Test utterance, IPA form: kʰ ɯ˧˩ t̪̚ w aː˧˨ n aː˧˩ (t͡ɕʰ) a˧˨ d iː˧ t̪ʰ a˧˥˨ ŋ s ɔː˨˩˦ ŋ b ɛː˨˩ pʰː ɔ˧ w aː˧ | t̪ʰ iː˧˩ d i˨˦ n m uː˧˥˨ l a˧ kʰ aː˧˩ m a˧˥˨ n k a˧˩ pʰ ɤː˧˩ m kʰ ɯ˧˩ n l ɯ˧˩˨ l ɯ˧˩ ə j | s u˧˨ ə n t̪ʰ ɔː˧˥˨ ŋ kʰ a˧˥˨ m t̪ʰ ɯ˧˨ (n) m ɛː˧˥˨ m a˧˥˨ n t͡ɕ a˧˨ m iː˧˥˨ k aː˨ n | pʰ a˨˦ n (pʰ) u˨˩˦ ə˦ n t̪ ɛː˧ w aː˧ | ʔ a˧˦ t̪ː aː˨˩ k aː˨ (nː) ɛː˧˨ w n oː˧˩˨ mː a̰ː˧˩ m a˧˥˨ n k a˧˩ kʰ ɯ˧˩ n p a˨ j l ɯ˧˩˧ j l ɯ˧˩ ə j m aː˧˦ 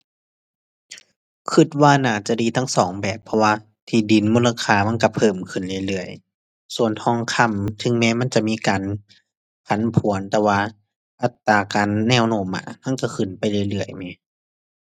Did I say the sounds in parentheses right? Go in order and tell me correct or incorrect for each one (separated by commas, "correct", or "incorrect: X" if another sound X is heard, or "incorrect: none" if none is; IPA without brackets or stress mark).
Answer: incorrect: t͡ɕ, incorrect: ŋ, correct, correct